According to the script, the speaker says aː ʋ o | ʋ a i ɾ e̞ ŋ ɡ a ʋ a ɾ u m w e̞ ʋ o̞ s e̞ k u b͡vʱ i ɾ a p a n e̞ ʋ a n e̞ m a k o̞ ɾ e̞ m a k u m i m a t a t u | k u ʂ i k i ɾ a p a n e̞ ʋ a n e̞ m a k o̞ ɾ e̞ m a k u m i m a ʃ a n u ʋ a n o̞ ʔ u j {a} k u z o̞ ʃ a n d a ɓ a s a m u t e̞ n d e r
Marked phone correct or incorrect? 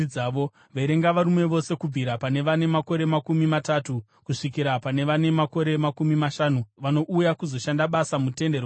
correct